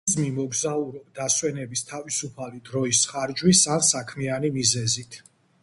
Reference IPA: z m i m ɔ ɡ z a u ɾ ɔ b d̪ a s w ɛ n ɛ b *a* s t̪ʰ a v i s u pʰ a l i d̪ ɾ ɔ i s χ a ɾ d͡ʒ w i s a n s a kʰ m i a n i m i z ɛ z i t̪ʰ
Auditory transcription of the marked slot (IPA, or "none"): i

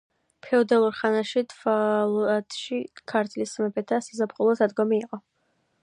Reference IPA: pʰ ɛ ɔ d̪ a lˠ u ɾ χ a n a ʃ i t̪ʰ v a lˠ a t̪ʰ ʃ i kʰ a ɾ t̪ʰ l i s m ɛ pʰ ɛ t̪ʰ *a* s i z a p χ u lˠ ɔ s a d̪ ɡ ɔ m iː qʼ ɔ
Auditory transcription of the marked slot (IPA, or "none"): a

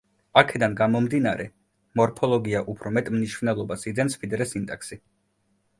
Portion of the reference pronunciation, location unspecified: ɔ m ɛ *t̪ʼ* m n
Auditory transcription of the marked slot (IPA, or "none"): t̪ʼ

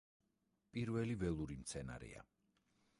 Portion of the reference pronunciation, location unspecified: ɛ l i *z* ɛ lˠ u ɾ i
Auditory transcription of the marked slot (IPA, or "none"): v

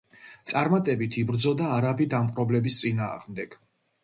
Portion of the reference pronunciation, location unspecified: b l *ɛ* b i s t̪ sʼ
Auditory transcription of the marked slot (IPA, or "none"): ɛ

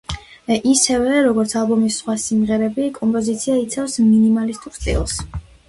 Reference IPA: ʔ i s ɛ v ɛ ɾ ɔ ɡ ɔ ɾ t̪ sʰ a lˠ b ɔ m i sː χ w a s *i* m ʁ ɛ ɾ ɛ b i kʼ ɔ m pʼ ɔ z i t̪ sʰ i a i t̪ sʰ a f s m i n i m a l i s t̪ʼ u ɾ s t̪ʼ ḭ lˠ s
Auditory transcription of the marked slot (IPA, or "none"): i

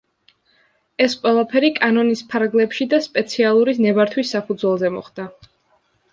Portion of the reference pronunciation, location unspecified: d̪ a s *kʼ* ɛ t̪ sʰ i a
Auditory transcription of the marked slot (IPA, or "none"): pʼ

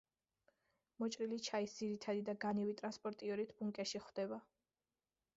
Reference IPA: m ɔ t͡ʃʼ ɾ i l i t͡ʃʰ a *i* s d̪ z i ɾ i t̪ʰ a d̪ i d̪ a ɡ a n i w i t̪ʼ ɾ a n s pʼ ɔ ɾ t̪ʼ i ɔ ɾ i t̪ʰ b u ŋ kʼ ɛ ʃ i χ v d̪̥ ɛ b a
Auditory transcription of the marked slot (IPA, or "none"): i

